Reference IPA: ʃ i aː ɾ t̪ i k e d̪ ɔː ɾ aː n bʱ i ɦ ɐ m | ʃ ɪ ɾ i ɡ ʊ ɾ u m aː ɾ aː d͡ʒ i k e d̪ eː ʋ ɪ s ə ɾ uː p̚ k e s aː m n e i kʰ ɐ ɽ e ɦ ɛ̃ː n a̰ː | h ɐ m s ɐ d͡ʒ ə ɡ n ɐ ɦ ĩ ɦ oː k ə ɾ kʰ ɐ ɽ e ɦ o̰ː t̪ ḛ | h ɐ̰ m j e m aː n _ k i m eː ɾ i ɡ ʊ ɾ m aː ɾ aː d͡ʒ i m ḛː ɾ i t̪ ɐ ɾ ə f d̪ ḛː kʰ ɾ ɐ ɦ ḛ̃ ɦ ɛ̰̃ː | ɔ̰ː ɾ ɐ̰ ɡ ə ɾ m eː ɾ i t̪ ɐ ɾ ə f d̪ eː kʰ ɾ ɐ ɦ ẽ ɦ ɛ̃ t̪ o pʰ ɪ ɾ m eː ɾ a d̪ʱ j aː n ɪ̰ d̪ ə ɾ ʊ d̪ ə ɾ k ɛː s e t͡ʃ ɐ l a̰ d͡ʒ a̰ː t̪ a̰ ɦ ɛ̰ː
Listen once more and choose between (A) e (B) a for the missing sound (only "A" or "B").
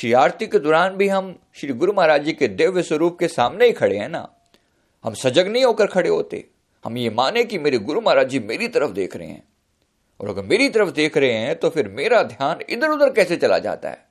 A